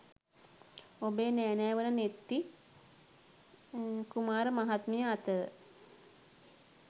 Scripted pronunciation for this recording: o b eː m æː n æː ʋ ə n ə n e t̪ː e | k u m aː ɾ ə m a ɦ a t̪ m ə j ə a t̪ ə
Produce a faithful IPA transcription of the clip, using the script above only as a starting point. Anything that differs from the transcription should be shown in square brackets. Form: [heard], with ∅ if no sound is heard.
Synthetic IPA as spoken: o b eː [n] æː n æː ʋ ə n ə n e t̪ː [i] | k u m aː ɾ ə m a ɦ a t̪ m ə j ə a t̪ ə